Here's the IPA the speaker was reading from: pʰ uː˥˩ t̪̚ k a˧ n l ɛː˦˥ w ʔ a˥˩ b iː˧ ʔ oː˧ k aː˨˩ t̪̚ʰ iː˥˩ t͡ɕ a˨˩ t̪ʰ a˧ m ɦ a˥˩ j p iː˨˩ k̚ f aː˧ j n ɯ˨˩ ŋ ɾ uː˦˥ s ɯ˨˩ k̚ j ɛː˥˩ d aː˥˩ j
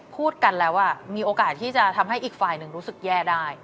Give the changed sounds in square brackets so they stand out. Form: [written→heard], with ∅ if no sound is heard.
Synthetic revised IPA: pʰ uː˥˩ t̪̚ k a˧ n l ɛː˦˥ w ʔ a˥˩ [b→m] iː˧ ʔ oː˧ k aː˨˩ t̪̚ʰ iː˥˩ t͡ɕ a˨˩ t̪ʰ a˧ m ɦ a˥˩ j [p→ʔ] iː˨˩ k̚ f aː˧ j n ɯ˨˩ ŋ ɾ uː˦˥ s ɯ˨˩ k̚ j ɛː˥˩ d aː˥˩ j